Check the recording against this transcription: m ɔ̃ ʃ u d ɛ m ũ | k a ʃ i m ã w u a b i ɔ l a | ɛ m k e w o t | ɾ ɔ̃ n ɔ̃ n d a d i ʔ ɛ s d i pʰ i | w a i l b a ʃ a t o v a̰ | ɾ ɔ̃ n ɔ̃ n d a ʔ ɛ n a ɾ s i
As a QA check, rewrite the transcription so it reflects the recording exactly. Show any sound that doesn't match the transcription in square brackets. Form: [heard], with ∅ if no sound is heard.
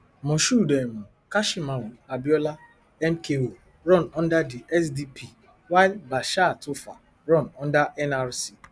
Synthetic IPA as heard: m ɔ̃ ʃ u d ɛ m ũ | k a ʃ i m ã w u a b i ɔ l a | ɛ m k e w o [∅] | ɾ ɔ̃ n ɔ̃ n d a d i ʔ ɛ s d i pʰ i | w a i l b a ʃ a t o [f] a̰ | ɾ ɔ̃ n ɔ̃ n d a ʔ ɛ n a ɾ s i